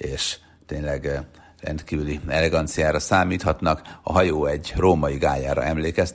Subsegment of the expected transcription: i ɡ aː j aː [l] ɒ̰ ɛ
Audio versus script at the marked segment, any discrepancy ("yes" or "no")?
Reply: yes